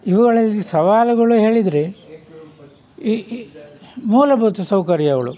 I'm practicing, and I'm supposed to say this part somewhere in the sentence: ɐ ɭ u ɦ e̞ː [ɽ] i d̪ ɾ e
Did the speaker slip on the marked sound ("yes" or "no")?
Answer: yes